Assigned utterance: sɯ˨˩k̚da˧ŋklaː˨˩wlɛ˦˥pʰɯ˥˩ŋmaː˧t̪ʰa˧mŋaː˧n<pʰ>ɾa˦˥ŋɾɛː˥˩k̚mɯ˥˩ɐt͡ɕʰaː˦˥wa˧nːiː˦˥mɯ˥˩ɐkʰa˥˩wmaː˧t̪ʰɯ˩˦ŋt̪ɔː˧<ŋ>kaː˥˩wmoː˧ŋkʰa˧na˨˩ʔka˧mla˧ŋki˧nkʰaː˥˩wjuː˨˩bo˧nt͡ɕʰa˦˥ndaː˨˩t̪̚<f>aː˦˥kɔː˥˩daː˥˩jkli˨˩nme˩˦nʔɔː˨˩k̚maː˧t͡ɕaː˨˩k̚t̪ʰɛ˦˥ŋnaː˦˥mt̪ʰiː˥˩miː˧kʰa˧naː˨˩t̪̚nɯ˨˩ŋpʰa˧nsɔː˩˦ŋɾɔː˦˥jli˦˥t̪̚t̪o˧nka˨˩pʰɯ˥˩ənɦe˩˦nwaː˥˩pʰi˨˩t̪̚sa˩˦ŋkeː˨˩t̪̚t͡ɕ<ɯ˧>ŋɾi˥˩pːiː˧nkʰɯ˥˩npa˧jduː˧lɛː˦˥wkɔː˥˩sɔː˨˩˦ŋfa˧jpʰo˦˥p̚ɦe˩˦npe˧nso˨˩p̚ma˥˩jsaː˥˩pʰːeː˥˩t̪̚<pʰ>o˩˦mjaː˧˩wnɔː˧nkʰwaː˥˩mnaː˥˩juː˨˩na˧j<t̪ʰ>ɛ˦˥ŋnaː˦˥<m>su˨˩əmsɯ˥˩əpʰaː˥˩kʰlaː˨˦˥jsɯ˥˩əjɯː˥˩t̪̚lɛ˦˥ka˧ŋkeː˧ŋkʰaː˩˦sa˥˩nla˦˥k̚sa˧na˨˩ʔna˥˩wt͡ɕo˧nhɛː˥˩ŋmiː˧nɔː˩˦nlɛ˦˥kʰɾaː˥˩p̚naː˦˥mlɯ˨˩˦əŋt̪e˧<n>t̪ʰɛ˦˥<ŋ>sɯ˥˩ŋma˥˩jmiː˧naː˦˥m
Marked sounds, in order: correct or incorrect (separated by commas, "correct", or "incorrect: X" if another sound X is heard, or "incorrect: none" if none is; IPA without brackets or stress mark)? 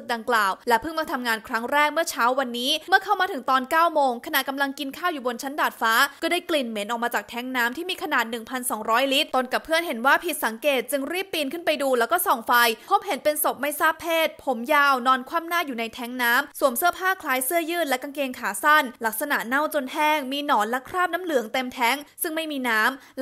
incorrect: kʰ, incorrect: n, correct, correct, correct, correct, correct, incorrect: m, correct